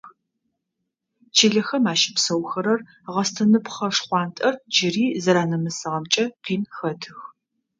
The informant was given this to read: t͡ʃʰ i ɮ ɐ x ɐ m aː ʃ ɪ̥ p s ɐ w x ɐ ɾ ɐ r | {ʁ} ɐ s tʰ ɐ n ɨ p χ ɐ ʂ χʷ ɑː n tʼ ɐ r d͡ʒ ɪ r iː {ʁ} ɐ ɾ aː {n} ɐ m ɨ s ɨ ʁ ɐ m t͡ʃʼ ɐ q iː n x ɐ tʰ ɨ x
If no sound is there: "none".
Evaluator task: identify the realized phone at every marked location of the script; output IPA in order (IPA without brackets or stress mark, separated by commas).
ʁ, z, n